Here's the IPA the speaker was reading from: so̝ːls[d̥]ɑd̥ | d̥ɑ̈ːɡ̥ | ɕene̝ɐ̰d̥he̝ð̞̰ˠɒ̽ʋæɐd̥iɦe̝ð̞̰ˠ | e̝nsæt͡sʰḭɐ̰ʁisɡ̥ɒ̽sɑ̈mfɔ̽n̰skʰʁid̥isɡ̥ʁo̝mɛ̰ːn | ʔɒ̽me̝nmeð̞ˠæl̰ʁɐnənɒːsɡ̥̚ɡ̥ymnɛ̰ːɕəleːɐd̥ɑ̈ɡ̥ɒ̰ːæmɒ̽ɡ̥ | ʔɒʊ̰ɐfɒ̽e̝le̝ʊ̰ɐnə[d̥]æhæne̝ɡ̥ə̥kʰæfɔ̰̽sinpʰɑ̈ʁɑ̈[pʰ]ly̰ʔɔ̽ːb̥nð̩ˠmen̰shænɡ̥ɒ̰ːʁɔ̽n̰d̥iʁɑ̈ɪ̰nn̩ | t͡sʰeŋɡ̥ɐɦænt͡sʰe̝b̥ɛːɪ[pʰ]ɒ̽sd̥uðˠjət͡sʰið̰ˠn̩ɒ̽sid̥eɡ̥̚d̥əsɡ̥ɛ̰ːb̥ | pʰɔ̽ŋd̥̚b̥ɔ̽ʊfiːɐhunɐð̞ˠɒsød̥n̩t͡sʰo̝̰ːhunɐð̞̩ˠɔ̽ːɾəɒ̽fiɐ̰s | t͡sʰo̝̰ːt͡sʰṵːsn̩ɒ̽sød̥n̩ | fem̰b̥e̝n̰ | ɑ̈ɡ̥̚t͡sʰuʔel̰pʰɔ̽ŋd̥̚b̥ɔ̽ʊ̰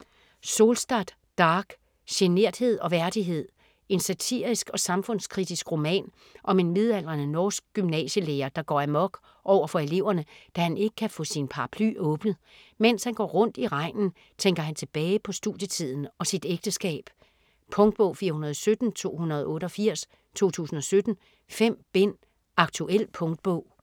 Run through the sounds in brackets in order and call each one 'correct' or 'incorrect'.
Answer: correct, correct, correct, correct

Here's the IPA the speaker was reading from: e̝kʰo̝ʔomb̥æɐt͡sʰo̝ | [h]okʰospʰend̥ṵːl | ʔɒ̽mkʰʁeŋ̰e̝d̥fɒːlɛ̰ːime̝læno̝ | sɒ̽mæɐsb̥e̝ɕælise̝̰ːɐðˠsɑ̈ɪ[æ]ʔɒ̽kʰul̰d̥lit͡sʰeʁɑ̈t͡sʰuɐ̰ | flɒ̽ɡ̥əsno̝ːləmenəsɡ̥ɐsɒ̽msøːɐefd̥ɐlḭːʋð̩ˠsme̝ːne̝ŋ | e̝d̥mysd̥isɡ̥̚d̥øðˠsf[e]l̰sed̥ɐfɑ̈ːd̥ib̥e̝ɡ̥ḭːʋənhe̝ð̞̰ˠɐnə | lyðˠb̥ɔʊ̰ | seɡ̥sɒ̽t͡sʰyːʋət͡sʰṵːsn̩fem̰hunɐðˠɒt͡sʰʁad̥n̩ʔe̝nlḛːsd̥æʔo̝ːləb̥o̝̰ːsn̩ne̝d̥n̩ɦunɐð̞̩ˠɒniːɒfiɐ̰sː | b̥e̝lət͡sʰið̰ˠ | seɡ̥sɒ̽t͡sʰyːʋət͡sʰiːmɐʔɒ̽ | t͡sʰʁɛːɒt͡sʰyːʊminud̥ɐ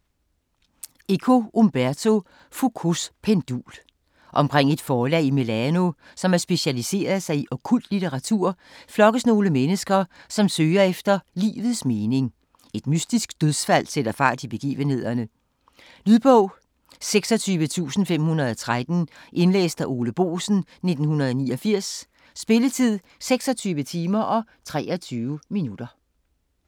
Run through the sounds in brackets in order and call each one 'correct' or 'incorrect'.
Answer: incorrect, incorrect, incorrect

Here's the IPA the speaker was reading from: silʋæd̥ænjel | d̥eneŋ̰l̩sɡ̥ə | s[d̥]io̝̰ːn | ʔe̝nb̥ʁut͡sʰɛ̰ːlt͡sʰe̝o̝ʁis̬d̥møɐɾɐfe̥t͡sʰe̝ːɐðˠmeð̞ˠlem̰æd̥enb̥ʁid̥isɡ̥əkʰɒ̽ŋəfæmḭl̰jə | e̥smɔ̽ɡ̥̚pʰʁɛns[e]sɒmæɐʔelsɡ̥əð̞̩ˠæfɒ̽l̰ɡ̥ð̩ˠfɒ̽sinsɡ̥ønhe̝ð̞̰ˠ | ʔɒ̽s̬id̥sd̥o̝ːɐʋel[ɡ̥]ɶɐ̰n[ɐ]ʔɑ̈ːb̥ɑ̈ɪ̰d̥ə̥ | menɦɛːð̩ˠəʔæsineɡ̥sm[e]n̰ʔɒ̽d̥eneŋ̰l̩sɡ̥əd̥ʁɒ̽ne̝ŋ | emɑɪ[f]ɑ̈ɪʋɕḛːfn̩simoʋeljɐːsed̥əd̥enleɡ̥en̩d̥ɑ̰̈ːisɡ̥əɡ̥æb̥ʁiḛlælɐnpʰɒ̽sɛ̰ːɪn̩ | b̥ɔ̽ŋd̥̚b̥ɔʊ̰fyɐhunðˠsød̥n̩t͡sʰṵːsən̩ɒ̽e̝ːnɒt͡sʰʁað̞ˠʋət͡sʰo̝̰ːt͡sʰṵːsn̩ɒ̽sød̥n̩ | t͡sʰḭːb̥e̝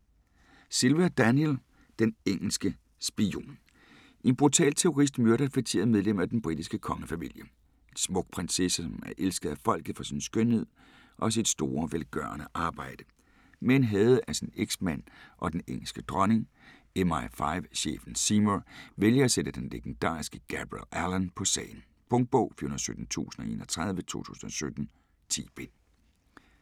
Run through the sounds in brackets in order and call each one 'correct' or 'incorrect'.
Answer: incorrect, correct, correct, incorrect, incorrect, correct

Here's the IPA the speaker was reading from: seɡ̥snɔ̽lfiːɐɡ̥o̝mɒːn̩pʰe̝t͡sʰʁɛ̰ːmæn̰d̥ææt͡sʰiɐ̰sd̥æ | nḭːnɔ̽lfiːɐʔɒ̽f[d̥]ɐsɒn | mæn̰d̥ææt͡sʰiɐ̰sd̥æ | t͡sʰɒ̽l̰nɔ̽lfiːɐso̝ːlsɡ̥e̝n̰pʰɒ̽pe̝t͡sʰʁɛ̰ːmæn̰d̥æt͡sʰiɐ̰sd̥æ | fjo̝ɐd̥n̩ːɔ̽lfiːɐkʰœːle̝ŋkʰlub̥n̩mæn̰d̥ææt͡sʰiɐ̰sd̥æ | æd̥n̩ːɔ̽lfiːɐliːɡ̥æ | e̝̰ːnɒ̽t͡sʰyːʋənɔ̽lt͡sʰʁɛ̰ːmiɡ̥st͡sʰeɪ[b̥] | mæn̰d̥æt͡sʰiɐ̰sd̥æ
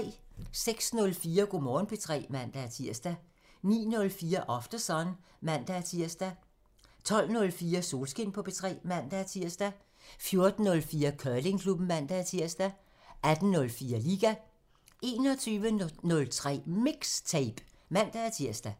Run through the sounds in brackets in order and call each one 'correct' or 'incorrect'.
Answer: correct, correct

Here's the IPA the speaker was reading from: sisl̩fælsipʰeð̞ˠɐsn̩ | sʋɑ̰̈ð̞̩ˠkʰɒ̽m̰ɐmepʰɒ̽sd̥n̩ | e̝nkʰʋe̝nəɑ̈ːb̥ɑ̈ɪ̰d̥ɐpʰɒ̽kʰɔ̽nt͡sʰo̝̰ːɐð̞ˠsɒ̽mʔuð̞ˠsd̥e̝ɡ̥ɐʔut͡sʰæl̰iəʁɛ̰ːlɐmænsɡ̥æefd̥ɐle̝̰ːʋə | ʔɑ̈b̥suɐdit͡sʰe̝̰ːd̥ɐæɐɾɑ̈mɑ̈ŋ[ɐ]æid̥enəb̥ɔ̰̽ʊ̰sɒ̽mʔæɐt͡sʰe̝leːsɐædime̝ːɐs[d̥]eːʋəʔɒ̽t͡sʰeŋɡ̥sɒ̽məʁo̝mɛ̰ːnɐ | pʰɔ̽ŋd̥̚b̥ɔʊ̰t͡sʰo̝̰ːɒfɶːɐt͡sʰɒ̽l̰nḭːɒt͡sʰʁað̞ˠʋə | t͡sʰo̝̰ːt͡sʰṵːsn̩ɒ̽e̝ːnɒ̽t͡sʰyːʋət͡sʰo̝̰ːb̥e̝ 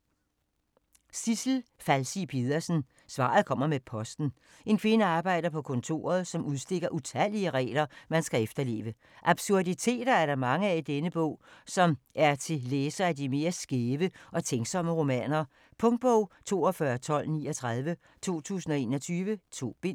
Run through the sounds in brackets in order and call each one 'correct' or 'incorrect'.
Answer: incorrect, incorrect

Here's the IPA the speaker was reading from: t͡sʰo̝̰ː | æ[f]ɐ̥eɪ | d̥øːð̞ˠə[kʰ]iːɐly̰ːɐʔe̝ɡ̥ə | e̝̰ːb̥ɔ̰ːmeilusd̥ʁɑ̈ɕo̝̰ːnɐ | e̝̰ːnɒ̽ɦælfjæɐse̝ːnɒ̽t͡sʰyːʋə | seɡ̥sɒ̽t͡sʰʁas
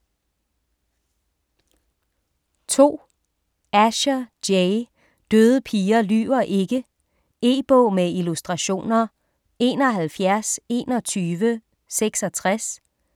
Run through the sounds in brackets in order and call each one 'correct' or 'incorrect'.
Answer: incorrect, incorrect

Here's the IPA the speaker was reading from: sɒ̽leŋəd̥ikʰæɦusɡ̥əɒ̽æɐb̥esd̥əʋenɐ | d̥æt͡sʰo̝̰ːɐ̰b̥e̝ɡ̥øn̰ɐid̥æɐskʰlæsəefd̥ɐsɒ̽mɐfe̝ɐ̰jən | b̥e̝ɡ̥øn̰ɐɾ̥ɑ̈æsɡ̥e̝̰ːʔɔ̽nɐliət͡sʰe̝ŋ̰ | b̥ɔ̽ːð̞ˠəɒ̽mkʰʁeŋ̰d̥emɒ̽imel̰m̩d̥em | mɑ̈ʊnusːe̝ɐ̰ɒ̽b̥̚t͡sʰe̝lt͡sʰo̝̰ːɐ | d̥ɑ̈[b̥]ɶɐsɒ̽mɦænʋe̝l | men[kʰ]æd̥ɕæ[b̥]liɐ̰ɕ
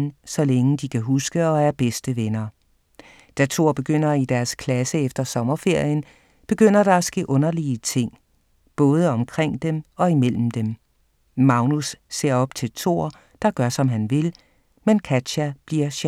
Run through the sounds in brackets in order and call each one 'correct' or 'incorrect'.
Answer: incorrect, correct, correct

